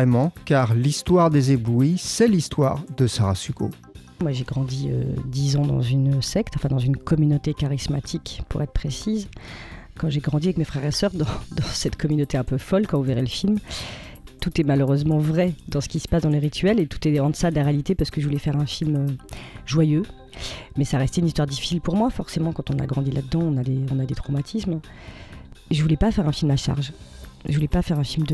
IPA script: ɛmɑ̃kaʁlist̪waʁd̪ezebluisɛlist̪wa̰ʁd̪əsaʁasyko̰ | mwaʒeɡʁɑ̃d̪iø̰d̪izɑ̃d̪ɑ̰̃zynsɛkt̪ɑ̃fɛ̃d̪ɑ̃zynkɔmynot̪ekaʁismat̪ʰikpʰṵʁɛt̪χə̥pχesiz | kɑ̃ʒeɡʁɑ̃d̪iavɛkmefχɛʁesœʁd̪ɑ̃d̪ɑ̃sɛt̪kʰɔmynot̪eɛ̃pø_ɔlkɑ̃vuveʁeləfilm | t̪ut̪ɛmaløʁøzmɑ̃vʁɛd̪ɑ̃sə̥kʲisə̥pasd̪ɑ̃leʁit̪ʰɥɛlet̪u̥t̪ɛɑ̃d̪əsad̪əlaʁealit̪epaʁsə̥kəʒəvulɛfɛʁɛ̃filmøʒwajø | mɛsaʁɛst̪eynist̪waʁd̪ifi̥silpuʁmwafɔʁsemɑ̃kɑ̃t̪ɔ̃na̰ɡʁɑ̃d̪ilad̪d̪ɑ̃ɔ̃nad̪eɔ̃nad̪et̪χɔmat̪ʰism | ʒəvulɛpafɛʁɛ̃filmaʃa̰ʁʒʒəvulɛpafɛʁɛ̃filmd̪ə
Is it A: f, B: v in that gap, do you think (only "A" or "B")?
A